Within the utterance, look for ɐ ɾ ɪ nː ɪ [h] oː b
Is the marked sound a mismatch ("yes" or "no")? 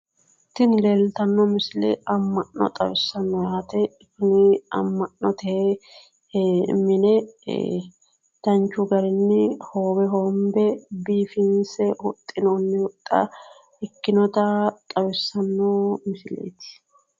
no